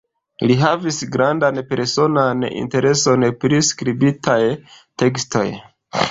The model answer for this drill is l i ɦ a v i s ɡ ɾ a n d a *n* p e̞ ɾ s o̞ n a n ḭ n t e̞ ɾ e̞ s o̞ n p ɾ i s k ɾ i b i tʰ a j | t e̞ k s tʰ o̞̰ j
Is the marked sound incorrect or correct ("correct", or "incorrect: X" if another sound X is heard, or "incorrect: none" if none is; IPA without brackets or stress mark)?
correct